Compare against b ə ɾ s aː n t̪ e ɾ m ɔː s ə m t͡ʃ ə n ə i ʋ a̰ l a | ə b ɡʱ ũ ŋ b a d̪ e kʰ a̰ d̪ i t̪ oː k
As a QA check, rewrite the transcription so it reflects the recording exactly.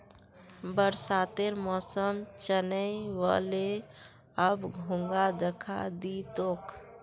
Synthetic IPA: b ə ɾ s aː t̪ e ɾ m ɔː s ə m t͡ʃ ə n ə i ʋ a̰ l e | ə b ɡʱ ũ ŋ ɡ a d̪ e kʰ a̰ d̪ i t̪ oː k